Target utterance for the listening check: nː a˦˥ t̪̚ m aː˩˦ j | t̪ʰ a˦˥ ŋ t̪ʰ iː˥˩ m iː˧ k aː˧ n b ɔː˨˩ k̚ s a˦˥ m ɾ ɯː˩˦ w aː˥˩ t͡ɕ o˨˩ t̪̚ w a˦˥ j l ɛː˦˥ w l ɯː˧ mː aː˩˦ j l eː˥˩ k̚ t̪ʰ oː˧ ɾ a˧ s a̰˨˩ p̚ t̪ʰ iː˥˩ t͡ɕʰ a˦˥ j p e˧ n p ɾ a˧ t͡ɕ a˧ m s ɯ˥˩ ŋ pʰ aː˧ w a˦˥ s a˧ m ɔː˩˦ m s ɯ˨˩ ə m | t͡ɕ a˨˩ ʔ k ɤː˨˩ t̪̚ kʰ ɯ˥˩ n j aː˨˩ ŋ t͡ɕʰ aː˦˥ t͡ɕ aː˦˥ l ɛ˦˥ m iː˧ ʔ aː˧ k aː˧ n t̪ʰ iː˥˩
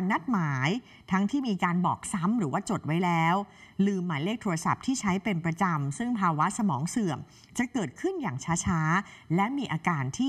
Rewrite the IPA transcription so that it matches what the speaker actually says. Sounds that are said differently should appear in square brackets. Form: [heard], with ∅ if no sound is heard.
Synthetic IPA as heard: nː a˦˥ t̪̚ m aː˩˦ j | t̪ʰ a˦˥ ŋ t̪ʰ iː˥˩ m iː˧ k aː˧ n b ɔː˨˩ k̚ s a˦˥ m ɾ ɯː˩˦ w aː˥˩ t͡ɕ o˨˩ t̪̚ w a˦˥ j l ɛː˦˥ w l ɯː˧ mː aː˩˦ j l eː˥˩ k̚ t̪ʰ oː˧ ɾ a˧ s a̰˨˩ p̚ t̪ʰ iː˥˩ t͡ɕʰ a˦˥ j p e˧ n p ɾ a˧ t͡ɕ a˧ m s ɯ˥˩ ŋ pʰ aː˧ w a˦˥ s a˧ m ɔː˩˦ [ŋ] s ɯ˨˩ ə m | t͡ɕ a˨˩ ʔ k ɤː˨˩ t̪̚ kʰ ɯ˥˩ n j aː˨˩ ŋ t͡ɕʰ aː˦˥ [t͡ɕʰ] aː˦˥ l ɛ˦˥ m iː˧ ʔ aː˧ k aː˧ n t̪ʰ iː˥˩